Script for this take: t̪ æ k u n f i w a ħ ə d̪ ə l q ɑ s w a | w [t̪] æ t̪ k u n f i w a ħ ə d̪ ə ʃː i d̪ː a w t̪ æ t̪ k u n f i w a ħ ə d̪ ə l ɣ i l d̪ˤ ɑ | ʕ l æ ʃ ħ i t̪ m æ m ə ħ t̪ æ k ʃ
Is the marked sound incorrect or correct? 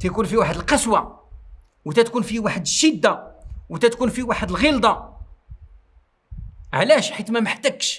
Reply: correct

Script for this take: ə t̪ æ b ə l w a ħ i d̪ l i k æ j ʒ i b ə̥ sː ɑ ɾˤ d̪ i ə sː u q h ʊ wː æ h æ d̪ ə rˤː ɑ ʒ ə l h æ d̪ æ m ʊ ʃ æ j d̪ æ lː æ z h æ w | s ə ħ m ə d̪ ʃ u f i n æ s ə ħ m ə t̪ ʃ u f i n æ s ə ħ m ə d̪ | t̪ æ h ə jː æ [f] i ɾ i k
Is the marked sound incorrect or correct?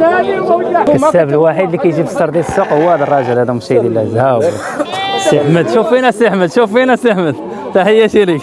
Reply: incorrect: ʃ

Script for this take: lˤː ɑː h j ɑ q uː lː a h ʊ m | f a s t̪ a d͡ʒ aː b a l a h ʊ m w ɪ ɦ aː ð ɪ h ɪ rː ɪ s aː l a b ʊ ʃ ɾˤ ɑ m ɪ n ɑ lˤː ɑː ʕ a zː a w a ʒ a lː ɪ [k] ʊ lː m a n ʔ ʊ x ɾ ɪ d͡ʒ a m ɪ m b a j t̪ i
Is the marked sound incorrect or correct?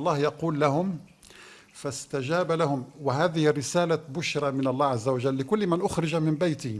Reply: correct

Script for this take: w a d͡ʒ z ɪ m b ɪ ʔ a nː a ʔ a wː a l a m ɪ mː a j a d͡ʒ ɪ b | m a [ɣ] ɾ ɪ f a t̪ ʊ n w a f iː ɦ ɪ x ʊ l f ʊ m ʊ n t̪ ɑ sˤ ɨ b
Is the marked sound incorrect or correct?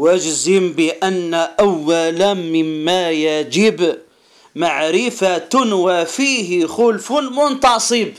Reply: incorrect: ʕ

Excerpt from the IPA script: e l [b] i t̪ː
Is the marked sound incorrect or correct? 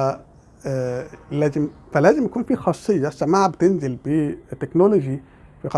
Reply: correct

